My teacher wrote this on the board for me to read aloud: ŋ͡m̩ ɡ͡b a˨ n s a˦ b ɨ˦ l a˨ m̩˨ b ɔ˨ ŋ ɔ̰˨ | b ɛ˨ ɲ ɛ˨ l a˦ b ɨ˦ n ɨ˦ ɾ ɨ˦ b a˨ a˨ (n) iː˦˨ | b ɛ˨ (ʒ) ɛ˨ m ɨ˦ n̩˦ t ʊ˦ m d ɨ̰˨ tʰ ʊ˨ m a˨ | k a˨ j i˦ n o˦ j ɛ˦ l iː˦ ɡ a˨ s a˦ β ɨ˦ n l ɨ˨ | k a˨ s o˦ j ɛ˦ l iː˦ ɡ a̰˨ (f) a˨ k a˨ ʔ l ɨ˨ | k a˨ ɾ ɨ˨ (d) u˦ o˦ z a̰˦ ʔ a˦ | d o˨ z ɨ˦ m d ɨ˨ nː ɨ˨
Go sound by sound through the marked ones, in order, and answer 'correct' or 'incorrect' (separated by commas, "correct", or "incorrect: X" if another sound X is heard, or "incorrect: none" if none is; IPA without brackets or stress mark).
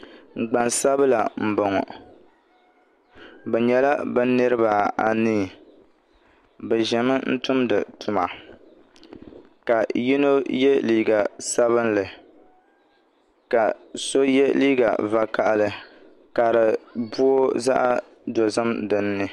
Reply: correct, correct, incorrect: v, incorrect: b